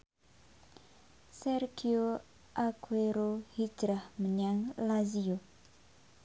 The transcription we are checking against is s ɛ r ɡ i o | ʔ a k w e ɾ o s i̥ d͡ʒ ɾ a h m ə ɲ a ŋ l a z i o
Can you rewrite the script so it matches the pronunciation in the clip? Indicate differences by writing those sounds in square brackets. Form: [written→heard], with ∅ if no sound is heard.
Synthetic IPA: s ɛ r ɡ i o | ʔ a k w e ɾ o [s→h] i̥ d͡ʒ ɾ a h m ə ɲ a ŋ l a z i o